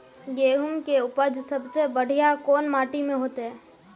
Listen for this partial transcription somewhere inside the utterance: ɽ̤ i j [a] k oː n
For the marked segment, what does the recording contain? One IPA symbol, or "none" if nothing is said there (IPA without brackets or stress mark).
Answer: a